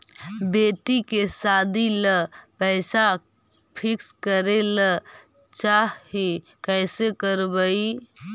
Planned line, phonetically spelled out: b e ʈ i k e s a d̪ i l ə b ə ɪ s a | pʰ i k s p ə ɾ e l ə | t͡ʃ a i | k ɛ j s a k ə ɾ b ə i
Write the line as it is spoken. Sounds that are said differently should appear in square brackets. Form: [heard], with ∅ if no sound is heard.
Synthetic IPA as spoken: b e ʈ i k e s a d̪ i l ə [p] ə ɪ s a | pʰ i k s [k] ə ɾ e l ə | t͡ʃ a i | k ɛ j s [e] k ə ɾ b ə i